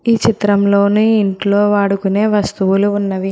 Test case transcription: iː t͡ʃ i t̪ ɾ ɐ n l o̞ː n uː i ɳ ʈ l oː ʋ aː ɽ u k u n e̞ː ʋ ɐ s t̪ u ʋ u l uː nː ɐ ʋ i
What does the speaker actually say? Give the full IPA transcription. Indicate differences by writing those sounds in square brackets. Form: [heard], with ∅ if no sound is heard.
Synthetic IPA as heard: iː t͡ʃ i t̪ ɾ ɐ [m] l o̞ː n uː i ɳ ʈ l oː ʋ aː ɽ u k u n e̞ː ʋ ɐ s t̪ u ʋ u l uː nː ɐ ʋ i